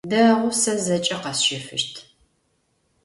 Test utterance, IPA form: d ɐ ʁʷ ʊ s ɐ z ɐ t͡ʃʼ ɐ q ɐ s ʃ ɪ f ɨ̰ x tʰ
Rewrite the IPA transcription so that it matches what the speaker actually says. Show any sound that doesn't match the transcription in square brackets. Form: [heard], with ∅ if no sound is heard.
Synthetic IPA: d ɐ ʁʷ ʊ s ɐ z ɐ t͡ʃʼ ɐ q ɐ s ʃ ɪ f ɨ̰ [ʃ] tʰ